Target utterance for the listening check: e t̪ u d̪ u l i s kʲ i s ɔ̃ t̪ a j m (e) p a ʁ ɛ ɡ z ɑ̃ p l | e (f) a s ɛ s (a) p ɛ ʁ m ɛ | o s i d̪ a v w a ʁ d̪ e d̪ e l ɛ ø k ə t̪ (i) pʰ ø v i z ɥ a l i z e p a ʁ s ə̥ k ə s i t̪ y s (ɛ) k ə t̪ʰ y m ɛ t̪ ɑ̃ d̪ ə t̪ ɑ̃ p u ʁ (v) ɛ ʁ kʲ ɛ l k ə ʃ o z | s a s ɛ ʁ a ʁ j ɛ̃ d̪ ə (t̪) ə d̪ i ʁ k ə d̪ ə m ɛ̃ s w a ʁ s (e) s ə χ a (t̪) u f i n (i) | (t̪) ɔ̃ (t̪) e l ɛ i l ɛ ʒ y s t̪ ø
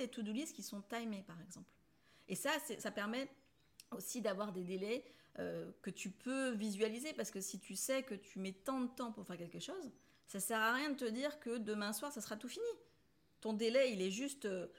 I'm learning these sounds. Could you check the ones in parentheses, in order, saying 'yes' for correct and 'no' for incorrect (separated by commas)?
yes, no, yes, no, yes, no, yes, no, yes, yes, yes, no